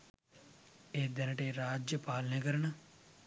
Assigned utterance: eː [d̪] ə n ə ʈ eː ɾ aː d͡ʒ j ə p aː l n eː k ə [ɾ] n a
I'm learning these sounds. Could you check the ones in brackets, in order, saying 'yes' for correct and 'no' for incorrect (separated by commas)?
yes, yes